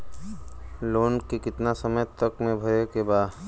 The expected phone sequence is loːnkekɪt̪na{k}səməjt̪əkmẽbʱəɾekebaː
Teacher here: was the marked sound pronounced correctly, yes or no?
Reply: no